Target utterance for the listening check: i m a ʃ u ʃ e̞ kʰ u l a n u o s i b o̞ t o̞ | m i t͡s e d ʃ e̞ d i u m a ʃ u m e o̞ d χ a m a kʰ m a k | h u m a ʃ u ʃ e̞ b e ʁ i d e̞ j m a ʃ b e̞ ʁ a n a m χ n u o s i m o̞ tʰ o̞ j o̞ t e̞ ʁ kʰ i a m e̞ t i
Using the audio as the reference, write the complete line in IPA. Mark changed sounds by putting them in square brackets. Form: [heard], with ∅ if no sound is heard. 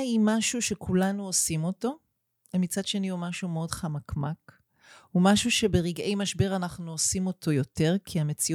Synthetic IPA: i m a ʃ u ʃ e̞ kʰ u l a n u o s i [m] o̞ t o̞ | m i t͡s [a] d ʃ e̞ [n] i u m a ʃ u m e o̞ d χ a m a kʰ m a k | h u m a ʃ u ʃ e̞ b e ʁ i [ɡ] e̞ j m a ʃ b e̞ ʁ a n a [∅] χ n u o s i m o̞ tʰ o̞ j o̞ t e̞ ʁ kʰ i a m e̞ [t͡s] i